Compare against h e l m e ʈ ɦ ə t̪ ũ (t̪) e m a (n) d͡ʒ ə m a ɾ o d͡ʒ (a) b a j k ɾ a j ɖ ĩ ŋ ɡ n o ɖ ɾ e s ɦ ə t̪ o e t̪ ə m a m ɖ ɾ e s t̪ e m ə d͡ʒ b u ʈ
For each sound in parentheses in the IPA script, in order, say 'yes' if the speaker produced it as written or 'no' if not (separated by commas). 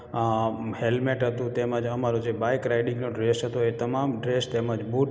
yes, no, no